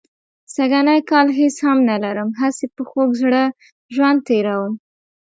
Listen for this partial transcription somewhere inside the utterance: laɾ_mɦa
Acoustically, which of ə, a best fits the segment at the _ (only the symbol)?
ə